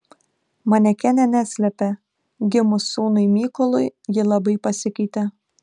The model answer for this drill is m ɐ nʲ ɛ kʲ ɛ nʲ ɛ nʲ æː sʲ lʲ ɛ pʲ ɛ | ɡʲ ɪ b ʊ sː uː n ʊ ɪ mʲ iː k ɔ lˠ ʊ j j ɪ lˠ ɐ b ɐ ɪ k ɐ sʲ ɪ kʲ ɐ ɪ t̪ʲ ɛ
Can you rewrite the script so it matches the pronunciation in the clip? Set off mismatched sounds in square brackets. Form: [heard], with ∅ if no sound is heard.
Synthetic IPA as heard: m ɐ nʲ ɛ kʲ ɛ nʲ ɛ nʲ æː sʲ lʲ ɛ pʲ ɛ | ɡʲ ɪ [m] ʊ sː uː n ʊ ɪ mʲ iː k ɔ lˠ ʊ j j ɪ lˠ ɐ b ɐ ɪ [p] ɐ sʲ ɪ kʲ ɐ ɪ t̪ʲ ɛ